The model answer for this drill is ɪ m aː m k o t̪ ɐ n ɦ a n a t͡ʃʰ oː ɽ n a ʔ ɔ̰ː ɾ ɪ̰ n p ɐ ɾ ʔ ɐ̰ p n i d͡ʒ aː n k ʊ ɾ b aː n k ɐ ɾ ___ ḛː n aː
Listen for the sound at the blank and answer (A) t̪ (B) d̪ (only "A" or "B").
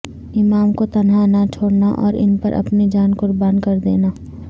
B